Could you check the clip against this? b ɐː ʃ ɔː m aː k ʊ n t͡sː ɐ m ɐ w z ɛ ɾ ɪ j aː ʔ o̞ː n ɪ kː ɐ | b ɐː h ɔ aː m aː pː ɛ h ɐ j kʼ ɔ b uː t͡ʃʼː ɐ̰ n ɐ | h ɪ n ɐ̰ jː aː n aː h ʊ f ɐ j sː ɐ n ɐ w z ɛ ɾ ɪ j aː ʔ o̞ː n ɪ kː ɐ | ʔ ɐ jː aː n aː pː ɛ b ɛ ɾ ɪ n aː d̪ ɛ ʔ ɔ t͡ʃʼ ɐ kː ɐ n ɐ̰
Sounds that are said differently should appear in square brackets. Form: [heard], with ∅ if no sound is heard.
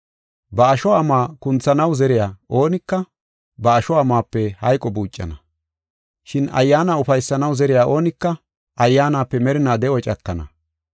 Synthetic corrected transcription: b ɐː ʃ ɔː m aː k ʊ n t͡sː ɐ [n] ɐ w z ɛ ɾ ɪ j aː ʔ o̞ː n ɪ kː ɐ | b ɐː [ʃ] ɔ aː m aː pː ɛ h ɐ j kʼ ɔ b uː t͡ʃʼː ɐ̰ n ɐ | [ʃ] ɪ n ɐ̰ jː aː n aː [∅] ʊ f ɐ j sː ɐ n ɐ w z ɛ ɾ ɪ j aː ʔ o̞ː n ɪ kː ɐ | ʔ ɐ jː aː n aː pː ɛ [m] ɛ ɾ ɪ n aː d̪ ɛ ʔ ɔ t͡ʃʼ ɐ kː ɐ n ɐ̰